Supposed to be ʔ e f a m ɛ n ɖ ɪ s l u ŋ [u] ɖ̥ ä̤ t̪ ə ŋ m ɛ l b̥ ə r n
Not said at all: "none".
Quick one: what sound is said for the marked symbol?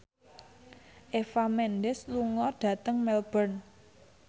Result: ɔ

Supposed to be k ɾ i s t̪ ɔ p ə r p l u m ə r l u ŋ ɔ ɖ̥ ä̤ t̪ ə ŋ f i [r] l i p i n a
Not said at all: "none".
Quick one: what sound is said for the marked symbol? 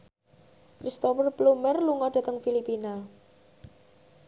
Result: none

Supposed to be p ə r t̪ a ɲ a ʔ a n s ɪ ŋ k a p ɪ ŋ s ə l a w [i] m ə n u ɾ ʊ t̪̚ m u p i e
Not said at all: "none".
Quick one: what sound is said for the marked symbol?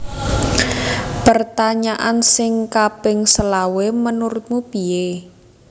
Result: e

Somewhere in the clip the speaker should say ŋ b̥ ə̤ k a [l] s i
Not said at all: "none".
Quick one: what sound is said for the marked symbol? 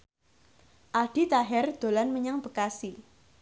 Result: none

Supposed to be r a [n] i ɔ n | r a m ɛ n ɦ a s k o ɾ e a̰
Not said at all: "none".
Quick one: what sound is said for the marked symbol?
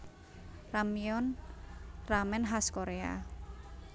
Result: m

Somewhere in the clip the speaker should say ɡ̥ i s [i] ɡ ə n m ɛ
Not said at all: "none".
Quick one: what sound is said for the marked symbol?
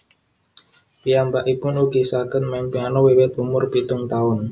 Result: a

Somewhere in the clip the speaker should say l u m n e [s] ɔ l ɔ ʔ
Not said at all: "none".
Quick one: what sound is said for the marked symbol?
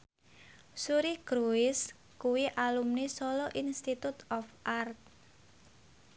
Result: s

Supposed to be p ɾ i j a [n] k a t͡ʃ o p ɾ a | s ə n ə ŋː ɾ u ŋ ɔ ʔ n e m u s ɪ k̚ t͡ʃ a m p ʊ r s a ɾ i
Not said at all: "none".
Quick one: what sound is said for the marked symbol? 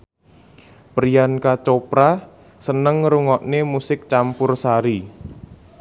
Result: n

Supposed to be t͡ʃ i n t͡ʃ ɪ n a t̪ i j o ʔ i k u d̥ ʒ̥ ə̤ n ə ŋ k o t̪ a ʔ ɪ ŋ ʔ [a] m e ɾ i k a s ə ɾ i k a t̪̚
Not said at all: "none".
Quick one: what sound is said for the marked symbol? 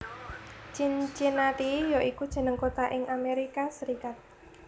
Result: a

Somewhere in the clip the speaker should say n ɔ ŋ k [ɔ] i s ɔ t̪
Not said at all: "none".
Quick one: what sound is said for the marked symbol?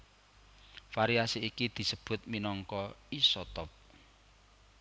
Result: ɔ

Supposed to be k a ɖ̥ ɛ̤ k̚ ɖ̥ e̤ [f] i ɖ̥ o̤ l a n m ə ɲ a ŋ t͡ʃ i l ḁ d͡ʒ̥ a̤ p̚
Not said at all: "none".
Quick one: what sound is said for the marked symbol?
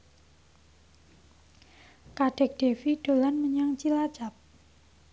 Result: f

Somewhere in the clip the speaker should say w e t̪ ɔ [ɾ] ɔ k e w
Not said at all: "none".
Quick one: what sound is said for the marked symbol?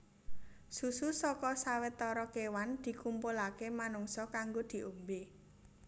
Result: ɾ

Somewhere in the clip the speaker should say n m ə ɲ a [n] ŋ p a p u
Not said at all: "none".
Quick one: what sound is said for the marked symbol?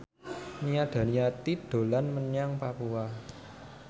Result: none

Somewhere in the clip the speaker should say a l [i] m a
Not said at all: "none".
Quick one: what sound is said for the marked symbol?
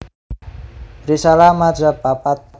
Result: a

